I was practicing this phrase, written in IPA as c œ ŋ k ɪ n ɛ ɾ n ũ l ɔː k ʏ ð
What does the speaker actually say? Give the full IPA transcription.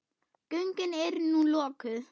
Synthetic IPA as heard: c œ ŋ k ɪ n ɛ ɾ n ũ l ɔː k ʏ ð